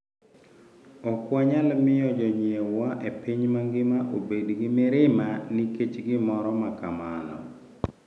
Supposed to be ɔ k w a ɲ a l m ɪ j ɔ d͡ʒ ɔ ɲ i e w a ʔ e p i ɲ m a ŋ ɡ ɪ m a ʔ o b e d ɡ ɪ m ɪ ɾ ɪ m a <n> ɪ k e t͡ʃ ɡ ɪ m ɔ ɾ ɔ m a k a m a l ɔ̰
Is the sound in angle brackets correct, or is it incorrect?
correct